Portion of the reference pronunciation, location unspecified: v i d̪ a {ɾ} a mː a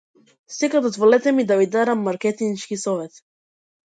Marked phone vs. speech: correct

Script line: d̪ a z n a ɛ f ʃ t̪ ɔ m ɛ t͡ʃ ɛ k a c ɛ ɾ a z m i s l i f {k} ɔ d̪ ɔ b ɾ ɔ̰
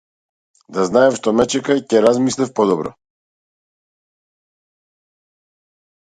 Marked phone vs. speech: incorrect: p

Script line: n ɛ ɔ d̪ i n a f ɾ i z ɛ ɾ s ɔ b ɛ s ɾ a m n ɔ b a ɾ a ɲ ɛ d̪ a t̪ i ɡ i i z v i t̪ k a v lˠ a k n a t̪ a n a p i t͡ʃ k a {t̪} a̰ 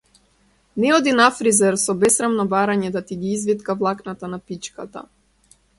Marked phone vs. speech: correct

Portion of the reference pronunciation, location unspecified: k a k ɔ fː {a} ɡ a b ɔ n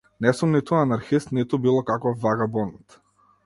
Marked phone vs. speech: correct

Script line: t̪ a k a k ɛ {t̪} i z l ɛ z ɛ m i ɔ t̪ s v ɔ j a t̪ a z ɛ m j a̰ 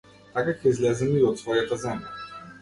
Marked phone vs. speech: incorrect: none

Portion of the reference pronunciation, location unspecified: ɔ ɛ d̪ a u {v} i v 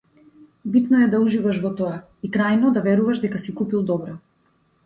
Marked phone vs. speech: incorrect: ʒ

